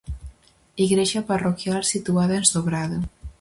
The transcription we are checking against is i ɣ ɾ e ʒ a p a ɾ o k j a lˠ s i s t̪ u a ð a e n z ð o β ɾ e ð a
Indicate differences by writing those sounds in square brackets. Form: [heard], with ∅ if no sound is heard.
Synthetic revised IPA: i ɣ ɾ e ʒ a p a [r] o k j a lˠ s i [∅] t̪ u a ð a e n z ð o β ɾ [a] ð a

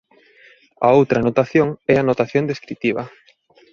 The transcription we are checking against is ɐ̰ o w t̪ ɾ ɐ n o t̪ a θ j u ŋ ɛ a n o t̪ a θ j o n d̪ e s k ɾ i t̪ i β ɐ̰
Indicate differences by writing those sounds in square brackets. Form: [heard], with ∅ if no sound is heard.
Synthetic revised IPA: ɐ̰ o w t̪ ɾ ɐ n o t̪ a θ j [o] ŋ ɛ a n o t̪ a θ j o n d̪ e s k ɾ i t̪ i β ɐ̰

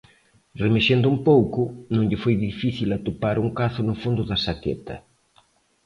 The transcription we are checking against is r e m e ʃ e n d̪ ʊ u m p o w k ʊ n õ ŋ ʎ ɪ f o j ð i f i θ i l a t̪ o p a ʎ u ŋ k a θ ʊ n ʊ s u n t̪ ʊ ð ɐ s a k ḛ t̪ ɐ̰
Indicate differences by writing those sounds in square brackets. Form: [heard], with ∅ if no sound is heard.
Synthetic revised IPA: r e m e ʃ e n d̪ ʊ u m p o w k ʊ n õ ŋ ʎ ɪ f o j ð i f i θ i l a t̪ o p a [ɾ] u ŋ k a θ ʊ n ʊ [f] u n [d̪] ʊ ð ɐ s a k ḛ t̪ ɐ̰

